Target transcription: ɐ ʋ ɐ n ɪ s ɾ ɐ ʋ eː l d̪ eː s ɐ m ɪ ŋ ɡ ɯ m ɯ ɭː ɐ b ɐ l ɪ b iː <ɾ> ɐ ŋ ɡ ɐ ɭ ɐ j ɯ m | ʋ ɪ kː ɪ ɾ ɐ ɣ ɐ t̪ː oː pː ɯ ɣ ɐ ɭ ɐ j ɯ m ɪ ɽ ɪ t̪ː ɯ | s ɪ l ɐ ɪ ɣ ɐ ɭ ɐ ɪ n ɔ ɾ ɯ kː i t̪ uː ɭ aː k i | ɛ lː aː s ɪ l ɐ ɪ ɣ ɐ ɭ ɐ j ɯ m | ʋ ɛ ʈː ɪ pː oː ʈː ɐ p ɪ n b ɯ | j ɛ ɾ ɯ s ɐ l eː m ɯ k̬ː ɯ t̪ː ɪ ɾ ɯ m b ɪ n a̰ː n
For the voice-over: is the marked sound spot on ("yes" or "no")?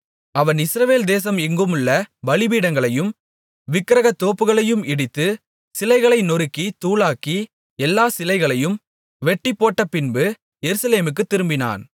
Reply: no